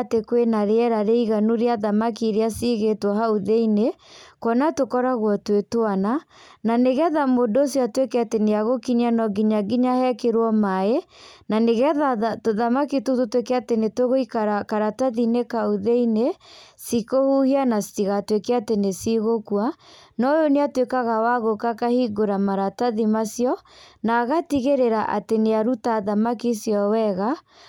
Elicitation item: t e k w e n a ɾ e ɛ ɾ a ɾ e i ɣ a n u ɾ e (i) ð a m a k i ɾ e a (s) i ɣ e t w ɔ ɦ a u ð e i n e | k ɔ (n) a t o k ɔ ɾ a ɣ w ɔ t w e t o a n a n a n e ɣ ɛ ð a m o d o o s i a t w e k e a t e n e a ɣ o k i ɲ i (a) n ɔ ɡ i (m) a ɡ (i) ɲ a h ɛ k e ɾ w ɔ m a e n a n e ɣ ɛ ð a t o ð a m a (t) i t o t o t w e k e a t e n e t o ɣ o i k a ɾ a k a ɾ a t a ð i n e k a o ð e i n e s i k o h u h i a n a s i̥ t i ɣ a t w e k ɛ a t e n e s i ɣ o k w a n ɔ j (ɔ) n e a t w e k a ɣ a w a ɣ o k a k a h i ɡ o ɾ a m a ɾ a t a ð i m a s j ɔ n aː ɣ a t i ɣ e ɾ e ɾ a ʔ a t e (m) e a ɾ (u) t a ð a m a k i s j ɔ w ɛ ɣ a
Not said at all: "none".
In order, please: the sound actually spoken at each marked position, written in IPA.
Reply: a, s, n, a, ɲ, i, k, o, n, u

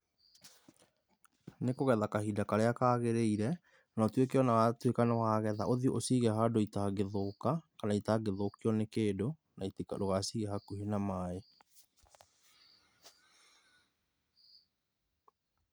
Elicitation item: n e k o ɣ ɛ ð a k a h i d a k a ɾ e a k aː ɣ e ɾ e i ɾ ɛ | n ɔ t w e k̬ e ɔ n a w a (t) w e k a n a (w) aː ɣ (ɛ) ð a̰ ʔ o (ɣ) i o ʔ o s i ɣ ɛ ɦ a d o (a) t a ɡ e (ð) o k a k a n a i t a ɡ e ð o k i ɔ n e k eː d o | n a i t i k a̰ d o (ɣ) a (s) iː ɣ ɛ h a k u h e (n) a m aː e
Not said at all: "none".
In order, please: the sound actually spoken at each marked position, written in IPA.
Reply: t, w, ɛ, ð, i, ð, ɣ, s, n

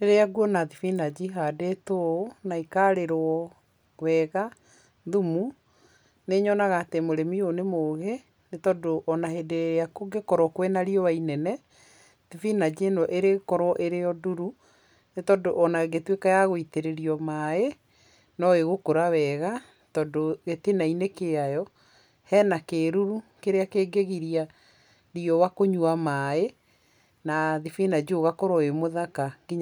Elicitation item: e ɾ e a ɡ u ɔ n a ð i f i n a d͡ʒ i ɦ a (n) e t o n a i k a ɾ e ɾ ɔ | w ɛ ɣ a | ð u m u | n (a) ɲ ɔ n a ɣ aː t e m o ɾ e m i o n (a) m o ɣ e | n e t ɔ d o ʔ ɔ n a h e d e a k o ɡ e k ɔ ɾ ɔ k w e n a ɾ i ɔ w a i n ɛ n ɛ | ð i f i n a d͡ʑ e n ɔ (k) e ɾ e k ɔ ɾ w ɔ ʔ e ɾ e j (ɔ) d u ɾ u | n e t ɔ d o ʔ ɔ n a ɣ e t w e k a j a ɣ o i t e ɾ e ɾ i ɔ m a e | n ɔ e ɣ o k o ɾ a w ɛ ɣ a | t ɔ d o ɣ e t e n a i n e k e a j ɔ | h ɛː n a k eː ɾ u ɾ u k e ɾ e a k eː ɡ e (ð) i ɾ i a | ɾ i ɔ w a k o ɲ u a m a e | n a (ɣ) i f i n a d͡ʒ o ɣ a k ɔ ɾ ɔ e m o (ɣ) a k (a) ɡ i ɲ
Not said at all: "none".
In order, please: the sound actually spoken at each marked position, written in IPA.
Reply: d, e, e, ʔ, ɔ, ɣ, ð, ð, a

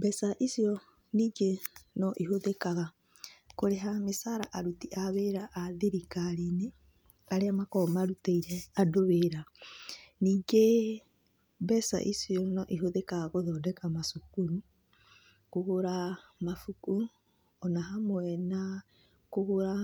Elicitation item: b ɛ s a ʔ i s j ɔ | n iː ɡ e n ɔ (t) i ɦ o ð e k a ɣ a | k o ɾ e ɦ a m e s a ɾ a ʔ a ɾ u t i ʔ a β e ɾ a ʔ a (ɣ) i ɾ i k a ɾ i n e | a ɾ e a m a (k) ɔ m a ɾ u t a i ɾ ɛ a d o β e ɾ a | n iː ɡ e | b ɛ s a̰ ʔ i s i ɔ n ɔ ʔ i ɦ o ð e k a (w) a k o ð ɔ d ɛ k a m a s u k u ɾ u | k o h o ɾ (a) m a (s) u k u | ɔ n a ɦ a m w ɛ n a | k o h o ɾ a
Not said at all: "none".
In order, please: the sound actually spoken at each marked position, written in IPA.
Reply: ʔ, ð, k, ɣ, a, f

